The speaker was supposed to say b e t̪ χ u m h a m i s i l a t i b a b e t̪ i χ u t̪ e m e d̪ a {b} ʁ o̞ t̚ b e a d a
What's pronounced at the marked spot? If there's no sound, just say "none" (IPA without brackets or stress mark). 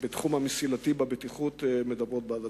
b